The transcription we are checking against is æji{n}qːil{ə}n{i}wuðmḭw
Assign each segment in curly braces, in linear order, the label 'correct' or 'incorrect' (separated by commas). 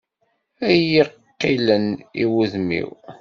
incorrect, correct, correct